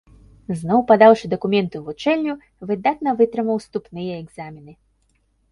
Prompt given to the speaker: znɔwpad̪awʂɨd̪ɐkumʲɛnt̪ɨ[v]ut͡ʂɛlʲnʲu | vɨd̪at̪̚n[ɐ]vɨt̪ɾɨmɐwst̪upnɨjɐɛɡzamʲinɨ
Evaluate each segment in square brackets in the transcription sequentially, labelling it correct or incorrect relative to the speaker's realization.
correct, correct

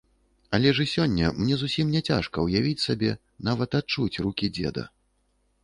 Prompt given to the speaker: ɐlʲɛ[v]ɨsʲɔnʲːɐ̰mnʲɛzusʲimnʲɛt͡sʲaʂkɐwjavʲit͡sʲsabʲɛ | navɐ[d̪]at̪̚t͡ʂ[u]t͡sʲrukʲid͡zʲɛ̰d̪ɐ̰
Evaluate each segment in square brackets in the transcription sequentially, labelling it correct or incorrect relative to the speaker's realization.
incorrect, incorrect, correct

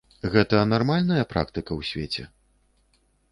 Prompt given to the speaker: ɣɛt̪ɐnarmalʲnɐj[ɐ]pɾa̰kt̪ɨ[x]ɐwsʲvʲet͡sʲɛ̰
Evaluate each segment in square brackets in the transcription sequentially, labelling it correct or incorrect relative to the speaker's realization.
correct, incorrect

